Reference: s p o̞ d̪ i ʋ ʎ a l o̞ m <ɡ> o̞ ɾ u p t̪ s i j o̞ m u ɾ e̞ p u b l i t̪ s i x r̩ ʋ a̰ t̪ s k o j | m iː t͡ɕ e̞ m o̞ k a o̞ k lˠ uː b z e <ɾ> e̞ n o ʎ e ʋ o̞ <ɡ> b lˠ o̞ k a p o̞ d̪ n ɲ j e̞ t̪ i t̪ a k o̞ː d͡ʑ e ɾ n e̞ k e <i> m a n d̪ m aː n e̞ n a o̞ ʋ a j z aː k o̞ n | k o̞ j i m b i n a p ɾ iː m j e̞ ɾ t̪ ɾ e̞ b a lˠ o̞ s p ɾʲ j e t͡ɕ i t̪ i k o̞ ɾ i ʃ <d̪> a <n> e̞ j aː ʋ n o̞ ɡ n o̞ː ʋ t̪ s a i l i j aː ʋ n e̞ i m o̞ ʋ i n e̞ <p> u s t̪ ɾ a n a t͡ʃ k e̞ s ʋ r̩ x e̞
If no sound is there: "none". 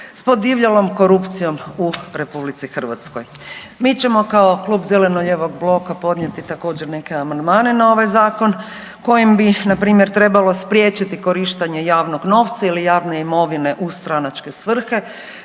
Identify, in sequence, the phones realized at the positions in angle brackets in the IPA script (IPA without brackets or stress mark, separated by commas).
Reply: k, l, ɡ, a, t̪, ɲ, ʔ